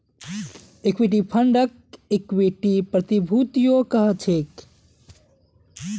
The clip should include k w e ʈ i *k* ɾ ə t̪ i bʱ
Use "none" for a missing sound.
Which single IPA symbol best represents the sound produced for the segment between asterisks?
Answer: p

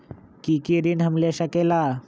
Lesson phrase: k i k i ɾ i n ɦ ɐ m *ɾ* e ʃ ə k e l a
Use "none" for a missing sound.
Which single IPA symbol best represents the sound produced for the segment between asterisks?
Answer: l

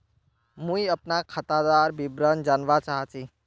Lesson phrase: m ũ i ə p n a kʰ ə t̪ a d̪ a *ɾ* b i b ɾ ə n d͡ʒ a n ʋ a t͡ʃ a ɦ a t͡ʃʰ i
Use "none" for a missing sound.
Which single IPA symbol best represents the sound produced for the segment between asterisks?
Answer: ɾ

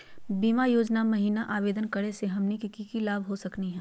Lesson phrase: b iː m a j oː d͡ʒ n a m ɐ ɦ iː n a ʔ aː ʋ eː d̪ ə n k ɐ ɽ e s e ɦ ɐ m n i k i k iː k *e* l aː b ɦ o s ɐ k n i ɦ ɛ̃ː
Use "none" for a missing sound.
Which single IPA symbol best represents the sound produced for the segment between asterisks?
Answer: i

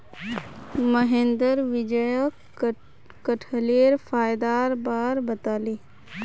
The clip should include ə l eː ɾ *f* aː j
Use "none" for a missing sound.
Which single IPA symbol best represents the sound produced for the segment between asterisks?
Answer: f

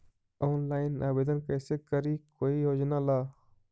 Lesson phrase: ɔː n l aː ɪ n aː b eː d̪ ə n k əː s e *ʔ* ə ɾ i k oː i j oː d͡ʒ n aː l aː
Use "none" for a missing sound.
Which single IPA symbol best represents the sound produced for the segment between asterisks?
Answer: k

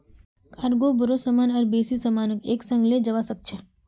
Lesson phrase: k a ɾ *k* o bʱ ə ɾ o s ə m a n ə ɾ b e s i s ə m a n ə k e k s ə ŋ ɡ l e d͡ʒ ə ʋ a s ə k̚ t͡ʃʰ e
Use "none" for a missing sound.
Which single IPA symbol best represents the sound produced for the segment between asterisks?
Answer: ɡ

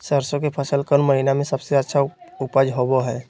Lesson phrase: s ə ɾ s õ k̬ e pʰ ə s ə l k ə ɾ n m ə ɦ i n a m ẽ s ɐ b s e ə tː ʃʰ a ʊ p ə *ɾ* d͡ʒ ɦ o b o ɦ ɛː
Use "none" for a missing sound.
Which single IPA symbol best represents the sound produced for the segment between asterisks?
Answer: none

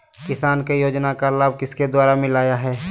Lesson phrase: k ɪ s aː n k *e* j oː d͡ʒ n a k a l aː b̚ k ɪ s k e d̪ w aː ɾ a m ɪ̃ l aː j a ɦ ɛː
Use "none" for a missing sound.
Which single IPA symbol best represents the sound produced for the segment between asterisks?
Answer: e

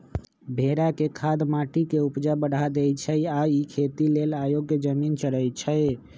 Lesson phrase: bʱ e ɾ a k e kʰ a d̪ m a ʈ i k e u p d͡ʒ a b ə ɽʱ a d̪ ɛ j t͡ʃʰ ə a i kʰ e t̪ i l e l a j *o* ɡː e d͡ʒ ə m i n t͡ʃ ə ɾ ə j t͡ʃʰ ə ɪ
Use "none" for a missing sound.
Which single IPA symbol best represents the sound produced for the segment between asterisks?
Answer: o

